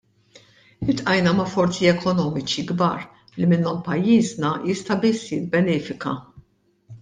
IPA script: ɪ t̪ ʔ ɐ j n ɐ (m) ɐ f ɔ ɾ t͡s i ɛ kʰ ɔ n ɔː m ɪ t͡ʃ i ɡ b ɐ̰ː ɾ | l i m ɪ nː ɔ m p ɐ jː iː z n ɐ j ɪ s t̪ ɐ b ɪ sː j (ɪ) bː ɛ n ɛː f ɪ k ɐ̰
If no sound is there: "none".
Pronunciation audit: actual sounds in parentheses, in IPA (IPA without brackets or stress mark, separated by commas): m, ɪ